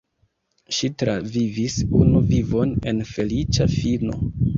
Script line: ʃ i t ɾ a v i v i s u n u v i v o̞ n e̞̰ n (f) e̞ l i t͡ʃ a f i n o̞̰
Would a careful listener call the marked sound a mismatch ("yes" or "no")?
no